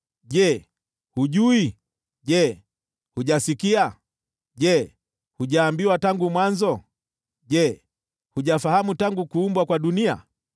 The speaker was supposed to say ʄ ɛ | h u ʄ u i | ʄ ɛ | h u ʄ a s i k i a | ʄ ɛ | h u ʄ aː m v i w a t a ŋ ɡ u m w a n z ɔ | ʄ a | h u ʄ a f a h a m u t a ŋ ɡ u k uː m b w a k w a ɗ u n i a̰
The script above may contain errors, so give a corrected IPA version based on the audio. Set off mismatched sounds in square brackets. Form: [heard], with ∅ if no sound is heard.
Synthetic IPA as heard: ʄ ɛ | h u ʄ u i | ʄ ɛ | h u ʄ a s i k i a | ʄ ɛ | h u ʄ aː m [b] i w a t a ŋ ɡ u m w a n z ɔ | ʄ [ɛ] | h u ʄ a f a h a m u t a ŋ ɡ u k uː m b w a k w a ɗ u n i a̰